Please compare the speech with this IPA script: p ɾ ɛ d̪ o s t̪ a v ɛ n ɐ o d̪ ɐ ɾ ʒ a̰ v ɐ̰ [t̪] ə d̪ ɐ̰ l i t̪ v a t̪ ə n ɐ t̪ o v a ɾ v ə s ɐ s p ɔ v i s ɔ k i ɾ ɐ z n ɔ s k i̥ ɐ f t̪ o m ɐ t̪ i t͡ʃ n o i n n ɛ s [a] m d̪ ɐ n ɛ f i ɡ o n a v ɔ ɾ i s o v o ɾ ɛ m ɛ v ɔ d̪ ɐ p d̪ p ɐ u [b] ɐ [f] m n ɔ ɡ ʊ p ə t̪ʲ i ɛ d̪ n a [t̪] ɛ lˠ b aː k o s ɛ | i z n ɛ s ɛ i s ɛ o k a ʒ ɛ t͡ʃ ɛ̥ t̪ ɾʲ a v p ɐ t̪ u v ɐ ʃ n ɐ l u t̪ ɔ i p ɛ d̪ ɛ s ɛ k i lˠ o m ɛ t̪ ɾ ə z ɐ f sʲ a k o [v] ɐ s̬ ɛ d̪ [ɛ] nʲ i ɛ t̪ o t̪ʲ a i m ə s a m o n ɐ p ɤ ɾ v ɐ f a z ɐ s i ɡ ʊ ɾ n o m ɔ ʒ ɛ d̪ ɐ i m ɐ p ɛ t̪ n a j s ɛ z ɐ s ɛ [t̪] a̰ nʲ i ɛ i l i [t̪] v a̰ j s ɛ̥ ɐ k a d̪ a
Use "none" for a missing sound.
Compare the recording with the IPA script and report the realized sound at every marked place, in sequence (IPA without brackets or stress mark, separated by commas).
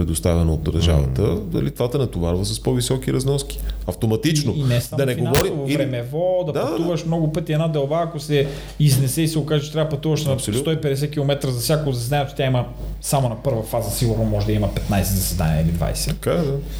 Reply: t̪, a, v, ʃ, d̪, z, a, d̪, d̪